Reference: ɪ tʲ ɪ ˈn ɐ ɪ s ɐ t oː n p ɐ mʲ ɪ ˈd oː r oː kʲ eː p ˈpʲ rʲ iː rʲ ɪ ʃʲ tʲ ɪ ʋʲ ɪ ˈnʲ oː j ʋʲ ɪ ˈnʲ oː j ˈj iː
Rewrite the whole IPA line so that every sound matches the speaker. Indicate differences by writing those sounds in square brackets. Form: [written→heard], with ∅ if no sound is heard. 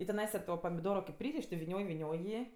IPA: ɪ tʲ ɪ ˈn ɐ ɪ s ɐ t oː [n→∅] p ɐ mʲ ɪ ˈd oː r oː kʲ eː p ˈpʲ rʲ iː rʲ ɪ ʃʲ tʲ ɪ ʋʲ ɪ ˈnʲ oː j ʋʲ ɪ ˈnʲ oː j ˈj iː